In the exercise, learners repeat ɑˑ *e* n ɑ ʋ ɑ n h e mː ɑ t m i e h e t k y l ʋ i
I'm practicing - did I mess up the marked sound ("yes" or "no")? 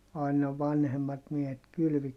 yes